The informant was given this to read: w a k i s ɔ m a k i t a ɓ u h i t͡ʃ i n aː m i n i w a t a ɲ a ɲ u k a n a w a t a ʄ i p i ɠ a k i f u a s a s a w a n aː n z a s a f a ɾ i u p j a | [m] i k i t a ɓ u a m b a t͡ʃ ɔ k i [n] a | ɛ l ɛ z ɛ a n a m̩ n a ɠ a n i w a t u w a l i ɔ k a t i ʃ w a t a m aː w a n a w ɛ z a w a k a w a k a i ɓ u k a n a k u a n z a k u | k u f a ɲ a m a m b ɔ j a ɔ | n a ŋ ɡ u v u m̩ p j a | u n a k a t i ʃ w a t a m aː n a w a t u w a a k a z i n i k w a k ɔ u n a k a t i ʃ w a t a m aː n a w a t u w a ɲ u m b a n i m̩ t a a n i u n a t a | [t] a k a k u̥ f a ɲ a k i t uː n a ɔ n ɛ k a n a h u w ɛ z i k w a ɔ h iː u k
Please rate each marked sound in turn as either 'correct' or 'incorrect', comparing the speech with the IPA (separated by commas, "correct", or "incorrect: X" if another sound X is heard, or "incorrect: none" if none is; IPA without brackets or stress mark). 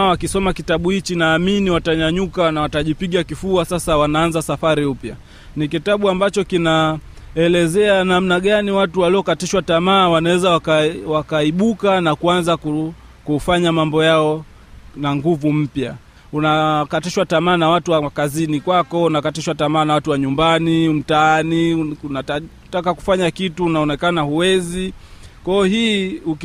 incorrect: n, correct, correct